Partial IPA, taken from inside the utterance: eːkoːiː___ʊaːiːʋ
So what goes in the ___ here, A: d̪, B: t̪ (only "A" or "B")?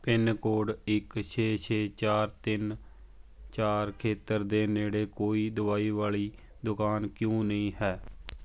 A